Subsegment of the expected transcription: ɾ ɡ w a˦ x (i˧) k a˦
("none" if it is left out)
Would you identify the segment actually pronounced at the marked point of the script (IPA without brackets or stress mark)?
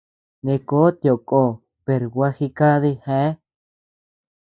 i˧